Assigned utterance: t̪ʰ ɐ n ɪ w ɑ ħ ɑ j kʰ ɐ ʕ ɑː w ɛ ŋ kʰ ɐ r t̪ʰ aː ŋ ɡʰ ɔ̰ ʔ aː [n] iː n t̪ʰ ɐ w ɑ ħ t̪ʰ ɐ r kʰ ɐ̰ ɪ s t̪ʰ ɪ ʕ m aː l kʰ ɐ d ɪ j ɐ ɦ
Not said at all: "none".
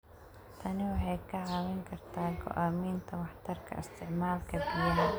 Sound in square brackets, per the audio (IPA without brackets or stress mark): m